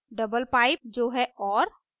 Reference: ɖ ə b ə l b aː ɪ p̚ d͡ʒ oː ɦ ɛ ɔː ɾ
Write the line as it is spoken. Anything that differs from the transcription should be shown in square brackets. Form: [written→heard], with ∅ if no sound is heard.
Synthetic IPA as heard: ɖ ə b ə l [b→p] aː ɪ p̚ d͡ʒ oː ɦ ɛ ɔː ɾ